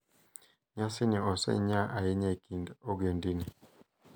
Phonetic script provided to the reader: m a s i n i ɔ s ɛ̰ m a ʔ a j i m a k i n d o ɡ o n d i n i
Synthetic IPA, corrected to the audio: ɲ a s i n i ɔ s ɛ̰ ɲ a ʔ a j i ɲ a k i n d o ɡ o n d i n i